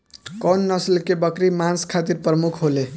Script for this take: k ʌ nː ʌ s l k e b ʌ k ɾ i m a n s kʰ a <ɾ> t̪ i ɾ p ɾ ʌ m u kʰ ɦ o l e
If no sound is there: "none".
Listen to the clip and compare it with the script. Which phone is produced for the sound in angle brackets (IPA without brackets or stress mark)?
none